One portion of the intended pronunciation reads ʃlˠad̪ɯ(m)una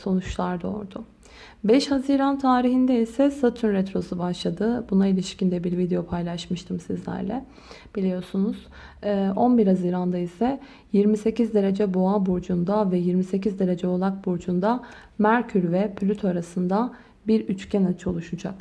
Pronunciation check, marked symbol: incorrect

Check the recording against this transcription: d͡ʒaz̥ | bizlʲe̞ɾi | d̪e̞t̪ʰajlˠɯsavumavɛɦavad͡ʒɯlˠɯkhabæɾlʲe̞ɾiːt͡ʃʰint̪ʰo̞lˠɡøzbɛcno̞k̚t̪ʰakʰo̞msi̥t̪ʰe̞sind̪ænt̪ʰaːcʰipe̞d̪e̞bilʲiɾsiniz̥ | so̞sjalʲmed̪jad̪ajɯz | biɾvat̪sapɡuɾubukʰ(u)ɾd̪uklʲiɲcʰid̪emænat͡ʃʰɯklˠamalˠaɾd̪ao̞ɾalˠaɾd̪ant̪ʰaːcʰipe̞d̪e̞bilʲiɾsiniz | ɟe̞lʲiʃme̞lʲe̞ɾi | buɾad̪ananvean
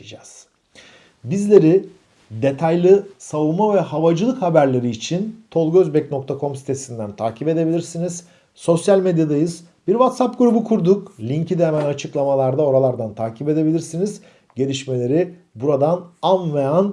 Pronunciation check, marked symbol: correct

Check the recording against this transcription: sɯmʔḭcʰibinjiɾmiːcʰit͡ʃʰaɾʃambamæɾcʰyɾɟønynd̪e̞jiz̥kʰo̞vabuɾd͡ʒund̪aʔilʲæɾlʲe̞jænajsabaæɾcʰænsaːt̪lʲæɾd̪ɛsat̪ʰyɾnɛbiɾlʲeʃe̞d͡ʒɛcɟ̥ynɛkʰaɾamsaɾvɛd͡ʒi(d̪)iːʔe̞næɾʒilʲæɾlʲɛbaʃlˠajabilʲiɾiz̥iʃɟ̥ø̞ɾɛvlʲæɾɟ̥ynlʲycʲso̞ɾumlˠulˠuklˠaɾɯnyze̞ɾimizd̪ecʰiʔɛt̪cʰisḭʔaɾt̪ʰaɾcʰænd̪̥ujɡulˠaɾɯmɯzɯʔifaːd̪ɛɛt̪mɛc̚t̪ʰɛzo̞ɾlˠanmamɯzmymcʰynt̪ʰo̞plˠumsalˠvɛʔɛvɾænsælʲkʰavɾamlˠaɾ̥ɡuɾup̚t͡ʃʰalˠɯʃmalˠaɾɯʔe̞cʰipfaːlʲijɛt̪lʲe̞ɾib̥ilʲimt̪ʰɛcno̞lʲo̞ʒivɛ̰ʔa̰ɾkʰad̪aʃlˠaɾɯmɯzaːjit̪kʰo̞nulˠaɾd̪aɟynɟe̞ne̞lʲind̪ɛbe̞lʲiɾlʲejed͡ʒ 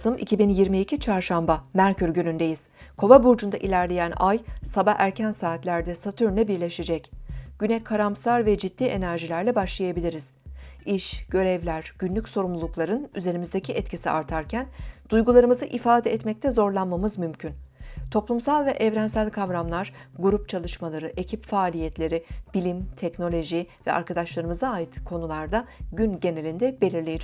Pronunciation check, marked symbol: incorrect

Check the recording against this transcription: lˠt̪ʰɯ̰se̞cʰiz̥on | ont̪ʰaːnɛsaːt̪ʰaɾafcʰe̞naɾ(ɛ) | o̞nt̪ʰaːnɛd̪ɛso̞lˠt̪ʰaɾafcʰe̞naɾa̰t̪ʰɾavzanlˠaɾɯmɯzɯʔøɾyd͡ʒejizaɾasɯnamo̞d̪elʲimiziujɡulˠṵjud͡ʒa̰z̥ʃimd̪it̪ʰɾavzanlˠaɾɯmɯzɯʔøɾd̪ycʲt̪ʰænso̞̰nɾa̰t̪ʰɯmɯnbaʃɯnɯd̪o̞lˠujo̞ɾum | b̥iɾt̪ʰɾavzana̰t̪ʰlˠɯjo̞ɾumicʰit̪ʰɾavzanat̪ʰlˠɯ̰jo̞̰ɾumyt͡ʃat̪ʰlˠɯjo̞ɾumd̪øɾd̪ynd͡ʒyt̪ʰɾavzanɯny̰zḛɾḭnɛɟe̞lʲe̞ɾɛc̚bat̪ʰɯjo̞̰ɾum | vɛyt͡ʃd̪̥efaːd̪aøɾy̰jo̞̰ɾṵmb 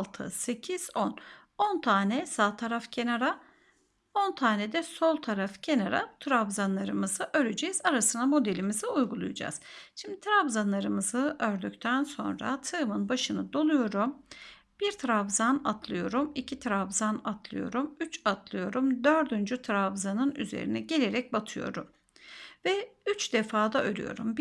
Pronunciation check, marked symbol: incorrect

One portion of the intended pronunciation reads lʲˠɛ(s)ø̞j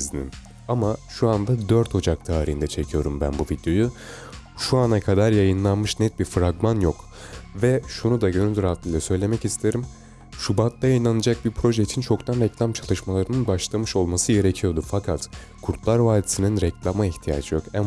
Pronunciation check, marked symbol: correct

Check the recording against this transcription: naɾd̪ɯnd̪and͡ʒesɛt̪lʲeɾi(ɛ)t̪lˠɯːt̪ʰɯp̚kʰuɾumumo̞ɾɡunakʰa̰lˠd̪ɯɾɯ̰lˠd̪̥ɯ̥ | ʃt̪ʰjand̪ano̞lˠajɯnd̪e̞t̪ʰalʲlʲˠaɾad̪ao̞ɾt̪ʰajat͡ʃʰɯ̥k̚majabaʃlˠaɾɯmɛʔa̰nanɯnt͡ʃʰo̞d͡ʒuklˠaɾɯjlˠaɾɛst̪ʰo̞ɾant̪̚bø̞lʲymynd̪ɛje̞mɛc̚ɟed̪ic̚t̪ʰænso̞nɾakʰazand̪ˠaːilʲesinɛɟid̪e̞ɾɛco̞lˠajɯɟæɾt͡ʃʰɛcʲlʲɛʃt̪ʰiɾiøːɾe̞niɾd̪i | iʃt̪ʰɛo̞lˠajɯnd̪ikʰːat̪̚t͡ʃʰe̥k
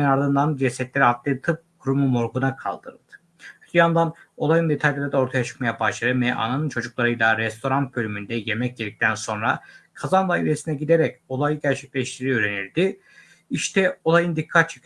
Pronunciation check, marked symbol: incorrect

